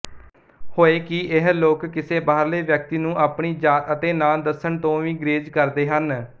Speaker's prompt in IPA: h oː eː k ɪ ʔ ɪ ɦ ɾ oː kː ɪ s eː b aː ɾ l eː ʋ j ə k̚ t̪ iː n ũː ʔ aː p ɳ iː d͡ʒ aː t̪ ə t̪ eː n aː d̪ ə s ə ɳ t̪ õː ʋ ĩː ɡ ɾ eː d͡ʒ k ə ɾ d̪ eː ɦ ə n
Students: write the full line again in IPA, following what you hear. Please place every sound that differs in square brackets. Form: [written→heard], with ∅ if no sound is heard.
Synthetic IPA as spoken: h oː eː k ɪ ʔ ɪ ɦ [ɾ→l] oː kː ɪ s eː b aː ɾ l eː ʋ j ə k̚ t̪ iː n ũː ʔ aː p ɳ iː d͡ʒ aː t̪ ə t̪ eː n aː d̪ ə s ə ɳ t̪ õː ʋ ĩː ɡ ɾ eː d͡ʒ k ə ɾ d̪ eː ɦ ə n